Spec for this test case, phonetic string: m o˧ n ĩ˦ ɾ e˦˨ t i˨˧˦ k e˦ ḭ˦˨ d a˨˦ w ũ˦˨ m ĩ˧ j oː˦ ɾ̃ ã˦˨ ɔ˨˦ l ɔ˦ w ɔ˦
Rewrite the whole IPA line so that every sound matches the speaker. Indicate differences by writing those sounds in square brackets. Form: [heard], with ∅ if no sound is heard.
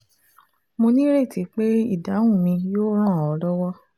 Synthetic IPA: m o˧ n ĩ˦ ɾ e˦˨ t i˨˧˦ [k͡p] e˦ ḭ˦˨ d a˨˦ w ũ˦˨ m ĩ˧ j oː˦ ɾ̃ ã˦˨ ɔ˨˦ l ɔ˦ w ɔ˦